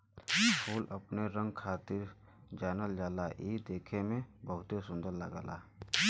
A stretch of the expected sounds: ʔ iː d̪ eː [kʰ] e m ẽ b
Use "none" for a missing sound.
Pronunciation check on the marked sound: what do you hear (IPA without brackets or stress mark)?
kʰ